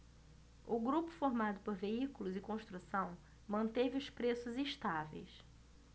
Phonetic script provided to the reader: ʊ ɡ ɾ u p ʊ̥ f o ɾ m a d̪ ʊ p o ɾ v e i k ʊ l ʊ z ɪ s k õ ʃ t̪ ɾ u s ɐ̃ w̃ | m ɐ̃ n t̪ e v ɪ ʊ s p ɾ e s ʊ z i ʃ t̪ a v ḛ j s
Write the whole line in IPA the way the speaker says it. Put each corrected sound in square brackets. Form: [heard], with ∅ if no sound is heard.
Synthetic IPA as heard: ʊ ɡ ɾ u p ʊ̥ f o ɾ m a d̪ ʊ p o ɾ v e i k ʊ l ʊ z ɪ [∅] k õ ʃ t̪ ɾ u s ɐ̃ w̃ | m ɐ̃ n t̪ e v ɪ ʊ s p ɾ e s ʊ z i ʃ t̪ a v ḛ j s

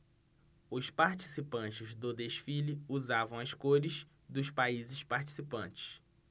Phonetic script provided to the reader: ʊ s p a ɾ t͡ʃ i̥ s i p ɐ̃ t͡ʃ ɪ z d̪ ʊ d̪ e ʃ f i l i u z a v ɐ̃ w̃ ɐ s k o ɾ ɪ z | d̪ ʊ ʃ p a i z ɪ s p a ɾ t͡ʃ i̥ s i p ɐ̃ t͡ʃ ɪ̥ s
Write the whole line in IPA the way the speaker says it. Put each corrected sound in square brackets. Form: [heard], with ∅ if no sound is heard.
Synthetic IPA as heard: ʊ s p a ɾ t͡ʃ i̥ s i p ɐ̃ t͡ʃ ɪ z d̪ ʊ d̪ e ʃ f i l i u z a v ɐ̃ w̃ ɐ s k o ɾ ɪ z | d̪ ʊ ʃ p a i z ɪ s p a ɾ t͡ʃ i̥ s i p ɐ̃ t͡ʃ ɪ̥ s

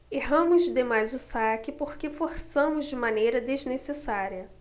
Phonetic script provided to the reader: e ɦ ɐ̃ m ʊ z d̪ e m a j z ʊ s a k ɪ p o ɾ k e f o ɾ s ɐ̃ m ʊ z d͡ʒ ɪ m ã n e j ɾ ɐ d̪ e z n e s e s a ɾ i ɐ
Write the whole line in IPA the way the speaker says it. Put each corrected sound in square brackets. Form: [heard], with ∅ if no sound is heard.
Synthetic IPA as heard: e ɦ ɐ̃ m ʊ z d̪ e m a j z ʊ s a k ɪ p o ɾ k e f o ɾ s ɐ̃ m ʊ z d͡ʒ ɪ m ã n e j ɾ ɐ d̪ e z n e s e s a ɾ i ɐ

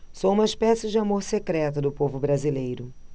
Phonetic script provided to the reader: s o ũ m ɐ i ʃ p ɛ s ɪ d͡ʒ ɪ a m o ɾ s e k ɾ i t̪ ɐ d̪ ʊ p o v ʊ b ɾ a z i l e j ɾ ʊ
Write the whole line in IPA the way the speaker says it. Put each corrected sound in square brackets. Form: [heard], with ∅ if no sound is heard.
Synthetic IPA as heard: s o ũ m ɐ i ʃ p ɛ s ɪ d͡ʒ ɪ a m o ɾ s e k ɾ [ɛ] t̪ ɐ d̪ ʊ p o v ʊ b ɾ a z i l e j ɾ ʊ

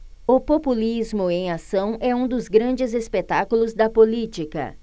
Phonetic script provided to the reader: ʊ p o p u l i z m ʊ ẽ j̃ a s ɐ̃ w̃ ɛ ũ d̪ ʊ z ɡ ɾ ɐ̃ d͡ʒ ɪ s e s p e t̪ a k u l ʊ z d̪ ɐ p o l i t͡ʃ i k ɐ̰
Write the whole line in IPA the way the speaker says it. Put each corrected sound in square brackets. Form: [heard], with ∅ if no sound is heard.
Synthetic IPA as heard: ʊ p o p u l i z m ʊ ẽ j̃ a s ɐ̃ w̃ ɛ ũ d̪ ʊ z ɡ ɾ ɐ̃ d͡ʒ ɪ [z] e s p e t̪ a k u l ʊ z d̪ ɐ p o l i t͡ʃ i k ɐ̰

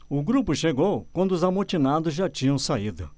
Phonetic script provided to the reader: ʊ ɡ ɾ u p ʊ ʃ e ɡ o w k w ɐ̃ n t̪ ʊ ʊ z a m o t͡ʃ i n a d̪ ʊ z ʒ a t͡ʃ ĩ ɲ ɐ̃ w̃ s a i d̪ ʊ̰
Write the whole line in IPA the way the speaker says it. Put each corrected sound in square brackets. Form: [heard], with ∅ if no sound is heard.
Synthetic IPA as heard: ʊ ɡ ɾ u p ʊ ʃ e ɡ o w k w ɐ̃ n [d̪] ʊ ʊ z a m o t͡ʃ i n a d̪ ʊ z ʒ a t͡ʃ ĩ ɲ ɐ̃ w̃ s a i d̪ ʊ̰

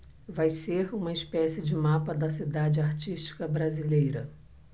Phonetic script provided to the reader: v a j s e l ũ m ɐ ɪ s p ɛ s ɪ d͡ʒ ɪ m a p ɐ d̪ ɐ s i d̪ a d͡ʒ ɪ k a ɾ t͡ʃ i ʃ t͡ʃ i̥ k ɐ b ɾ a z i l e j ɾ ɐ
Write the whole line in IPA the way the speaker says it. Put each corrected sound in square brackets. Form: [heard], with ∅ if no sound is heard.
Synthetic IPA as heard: v a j s e [ɾ] ũ m ɐ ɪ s p ɛ s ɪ d͡ʒ ɪ m a p ɐ d̪ ɐ s i d̪ a d͡ʒ ɪ [∅] a ɾ t͡ʃ i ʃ t͡ʃ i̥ k ɐ b ɾ a z i l e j ɾ ɐ

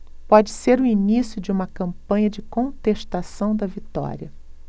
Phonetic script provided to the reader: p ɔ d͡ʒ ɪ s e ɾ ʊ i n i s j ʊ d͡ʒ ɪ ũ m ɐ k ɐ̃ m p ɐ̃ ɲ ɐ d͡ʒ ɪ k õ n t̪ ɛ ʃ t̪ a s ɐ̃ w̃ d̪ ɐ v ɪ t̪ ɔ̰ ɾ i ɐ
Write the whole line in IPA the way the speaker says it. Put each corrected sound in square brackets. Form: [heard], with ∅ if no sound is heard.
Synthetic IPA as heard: p ɔ d͡ʒ ɪ s e ɾ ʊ i n i s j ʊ d͡ʒ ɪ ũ m ɐ k ɐ̃ m p ɐ̃ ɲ ɐ d͡ʒ ɪ k õ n t̪ [e] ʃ t̪ a s ɐ̃ w̃ d̪ ɐ v [i] t̪ ɔ̰ ɾ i ɐ

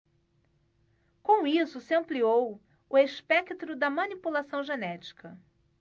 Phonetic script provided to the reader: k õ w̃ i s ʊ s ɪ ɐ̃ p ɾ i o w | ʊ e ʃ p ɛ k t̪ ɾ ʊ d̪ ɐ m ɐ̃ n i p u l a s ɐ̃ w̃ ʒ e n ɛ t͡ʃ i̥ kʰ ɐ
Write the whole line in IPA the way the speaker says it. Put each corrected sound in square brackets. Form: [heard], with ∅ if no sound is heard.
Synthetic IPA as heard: k õ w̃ i s ʊ s ɪ ɐ̃ p [l] i o w | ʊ e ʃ p ɛ k t̪ ɾ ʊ d̪ ɐ m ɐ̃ n i p u l a s ɐ̃ w̃ ʒ e n ɛ t͡ʃ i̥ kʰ ɐ

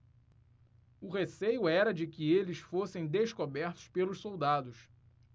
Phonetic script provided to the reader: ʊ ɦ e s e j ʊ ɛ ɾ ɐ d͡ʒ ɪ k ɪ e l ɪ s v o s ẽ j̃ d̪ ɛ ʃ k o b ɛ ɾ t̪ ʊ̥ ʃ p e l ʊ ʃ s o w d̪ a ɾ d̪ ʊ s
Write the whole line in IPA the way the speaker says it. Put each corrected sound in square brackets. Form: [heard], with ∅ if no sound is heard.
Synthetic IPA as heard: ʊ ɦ e s e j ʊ ɛ ɾ ɐ d͡ʒ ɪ k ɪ e l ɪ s [f] o s ẽ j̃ d̪ [e] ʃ k o b ɛ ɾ t̪ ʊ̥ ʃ p e l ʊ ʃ s o w d̪ a [∅] d̪ ʊ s

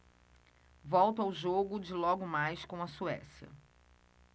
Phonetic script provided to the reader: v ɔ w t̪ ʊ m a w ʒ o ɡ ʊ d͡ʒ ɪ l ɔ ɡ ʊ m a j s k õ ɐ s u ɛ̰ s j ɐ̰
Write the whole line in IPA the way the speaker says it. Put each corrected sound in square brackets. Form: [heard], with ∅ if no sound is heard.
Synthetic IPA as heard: v ɔ w t̪ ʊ [∅] a w ʒ o ɡ ʊ d͡ʒ ɪ l ɔ ɡ ʊ m a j s k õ ɐ s u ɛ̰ s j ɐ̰

